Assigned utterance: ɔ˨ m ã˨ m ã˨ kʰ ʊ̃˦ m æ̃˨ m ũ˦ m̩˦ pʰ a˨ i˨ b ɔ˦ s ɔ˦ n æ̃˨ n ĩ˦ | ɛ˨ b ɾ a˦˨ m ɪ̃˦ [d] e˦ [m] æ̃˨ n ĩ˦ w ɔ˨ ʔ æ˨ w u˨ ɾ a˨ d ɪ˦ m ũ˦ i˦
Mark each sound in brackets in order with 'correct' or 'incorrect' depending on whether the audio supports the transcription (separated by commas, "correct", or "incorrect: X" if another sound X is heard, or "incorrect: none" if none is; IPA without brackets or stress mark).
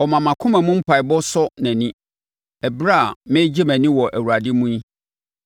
incorrect: d͡ʑ, correct